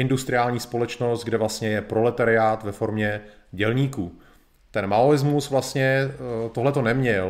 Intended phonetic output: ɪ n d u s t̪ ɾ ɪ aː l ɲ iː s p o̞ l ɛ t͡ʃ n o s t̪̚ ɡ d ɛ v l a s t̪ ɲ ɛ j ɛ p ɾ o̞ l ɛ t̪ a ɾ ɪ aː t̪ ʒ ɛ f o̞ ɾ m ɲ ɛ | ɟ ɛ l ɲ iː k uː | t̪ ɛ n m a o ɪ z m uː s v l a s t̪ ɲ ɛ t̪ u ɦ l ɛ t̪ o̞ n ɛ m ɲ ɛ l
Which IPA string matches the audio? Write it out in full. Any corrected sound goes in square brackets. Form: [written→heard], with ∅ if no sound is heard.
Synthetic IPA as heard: ɪ n d u s t̪ ɾ ɪ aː l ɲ iː s p o̞ l ɛ t͡ʃ n o s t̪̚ ɡ d ɛ v l a s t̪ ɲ ɛ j ɛ p ɾ o̞ l ɛ t̪ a ɾ ɪ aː t̪ [ʒ→v] ɛ f o̞ ɾ m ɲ ɛ | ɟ ɛ l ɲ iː k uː | t̪ ɛ n m a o ɪ z m [uː→u] s v l a s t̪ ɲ ɛ t̪ [u→o] ɦ l ɛ t̪ o̞ n ɛ m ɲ ɛ l